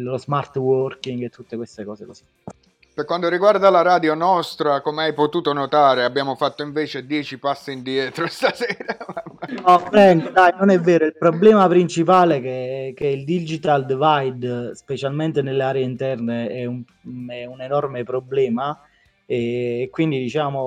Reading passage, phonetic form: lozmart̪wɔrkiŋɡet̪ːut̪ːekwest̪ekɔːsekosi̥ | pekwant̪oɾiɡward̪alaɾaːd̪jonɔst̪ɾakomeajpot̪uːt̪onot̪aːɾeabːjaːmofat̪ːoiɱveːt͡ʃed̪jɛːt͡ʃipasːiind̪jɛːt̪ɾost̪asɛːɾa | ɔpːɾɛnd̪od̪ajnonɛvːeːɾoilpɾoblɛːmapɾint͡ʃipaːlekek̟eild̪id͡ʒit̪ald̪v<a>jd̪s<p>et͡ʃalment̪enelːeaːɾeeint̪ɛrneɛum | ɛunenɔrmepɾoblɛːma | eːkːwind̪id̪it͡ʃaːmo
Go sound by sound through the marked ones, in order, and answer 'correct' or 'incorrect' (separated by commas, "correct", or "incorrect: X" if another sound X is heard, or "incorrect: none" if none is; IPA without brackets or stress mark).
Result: correct, correct